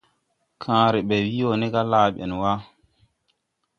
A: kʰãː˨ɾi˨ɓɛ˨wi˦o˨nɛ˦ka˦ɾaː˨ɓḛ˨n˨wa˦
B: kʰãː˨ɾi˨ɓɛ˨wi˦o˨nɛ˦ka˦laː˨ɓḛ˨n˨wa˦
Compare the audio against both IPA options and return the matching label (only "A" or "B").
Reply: B